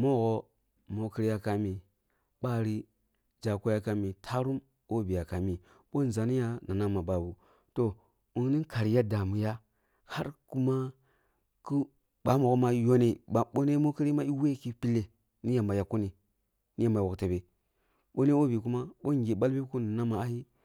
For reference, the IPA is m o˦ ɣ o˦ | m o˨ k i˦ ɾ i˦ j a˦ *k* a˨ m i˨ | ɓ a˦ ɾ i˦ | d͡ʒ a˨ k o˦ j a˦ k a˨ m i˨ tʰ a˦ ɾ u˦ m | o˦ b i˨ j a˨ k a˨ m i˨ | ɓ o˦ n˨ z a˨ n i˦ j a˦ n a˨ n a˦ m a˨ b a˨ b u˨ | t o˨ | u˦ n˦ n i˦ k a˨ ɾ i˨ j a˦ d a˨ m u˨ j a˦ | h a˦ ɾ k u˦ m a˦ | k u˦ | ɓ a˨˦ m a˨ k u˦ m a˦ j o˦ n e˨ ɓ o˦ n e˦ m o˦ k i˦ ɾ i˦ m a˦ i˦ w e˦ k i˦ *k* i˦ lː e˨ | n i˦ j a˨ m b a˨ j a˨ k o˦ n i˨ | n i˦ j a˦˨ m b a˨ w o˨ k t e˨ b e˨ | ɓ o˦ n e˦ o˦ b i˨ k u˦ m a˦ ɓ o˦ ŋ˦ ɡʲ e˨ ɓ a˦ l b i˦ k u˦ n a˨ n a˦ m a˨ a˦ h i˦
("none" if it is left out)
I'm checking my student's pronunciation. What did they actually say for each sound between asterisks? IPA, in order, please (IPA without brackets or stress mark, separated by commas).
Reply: k, p